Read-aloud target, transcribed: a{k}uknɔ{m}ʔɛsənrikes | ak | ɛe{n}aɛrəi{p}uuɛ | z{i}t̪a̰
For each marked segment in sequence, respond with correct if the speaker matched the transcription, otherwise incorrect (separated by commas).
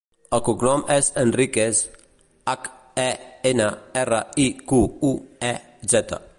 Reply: correct, correct, correct, incorrect, incorrect